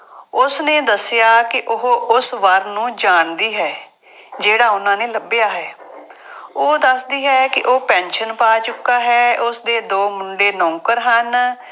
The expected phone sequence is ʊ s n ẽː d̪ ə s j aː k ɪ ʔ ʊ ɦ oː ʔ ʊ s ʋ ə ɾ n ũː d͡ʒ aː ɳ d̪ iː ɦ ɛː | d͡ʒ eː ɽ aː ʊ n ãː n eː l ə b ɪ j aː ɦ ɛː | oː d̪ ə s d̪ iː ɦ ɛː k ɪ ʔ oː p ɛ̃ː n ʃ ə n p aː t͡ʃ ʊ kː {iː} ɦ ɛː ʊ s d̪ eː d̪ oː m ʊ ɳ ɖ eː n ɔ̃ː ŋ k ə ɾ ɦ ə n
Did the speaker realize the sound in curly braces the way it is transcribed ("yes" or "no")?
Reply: no